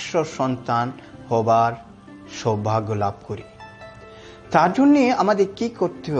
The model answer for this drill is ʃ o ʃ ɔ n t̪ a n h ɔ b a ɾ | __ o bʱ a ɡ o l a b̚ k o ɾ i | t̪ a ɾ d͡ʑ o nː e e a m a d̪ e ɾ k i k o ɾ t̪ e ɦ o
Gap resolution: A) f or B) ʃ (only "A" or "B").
B